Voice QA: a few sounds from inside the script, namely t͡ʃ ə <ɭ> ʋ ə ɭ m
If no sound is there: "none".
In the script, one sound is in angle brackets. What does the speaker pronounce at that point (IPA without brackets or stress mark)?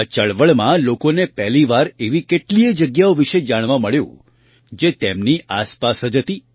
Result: ɭ